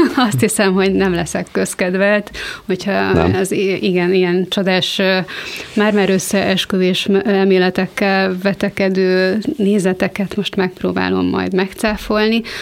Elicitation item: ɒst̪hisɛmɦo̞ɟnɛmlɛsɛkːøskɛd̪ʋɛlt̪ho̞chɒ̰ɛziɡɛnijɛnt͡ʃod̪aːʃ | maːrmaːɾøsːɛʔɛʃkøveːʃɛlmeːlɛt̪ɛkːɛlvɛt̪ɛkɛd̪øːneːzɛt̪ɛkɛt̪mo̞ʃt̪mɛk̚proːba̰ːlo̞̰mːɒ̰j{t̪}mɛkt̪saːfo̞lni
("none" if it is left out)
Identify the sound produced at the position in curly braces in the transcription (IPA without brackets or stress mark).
d̪